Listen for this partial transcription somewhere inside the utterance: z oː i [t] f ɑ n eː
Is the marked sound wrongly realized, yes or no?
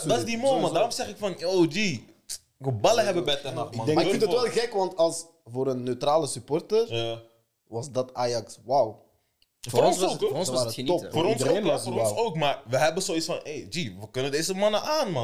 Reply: yes